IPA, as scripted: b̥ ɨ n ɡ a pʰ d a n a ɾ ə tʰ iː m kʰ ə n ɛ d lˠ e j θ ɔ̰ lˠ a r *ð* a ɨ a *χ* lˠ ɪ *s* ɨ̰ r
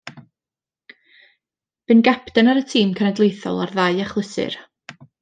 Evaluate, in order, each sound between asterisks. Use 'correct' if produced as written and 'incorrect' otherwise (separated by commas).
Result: correct, correct, correct